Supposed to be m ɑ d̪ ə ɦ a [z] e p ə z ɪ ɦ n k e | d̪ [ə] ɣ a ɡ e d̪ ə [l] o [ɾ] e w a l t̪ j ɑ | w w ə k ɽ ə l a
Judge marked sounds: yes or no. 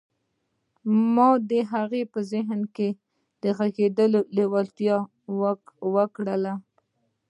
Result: no, yes, yes, no

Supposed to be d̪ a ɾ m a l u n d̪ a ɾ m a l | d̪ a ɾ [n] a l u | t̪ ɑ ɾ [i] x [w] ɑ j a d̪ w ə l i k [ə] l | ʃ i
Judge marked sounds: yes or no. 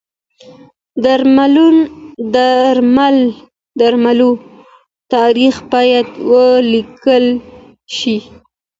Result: no, yes, no, yes

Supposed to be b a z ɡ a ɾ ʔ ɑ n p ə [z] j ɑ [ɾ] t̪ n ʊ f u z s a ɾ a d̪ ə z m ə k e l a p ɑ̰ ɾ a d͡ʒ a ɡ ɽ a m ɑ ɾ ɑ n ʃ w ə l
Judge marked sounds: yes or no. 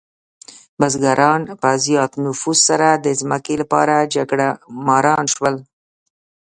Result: yes, no

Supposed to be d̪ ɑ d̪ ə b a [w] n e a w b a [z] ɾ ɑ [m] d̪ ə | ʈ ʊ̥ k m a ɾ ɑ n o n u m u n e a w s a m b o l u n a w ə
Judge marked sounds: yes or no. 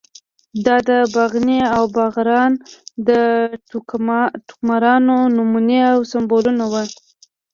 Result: no, no, no

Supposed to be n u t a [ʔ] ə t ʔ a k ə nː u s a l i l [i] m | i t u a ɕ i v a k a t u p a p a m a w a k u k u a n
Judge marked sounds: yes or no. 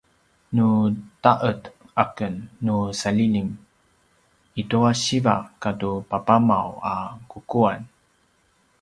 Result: yes, yes

